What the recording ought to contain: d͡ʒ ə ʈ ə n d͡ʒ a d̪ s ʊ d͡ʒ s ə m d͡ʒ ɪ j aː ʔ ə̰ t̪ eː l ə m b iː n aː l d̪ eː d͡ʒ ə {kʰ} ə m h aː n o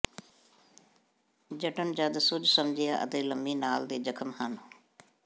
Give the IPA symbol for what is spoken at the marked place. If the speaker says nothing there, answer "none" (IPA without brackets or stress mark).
kʰ